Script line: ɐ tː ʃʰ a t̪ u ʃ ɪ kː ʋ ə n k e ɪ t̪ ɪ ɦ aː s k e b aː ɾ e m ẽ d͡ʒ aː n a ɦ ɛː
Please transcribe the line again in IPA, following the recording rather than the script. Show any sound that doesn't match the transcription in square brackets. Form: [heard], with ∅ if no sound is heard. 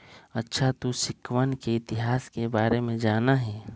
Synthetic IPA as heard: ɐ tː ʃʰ a t̪ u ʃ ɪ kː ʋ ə n k e ɪ t̪ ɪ ɦ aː s k e b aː ɾ e m ẽ d͡ʒ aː n a ɦ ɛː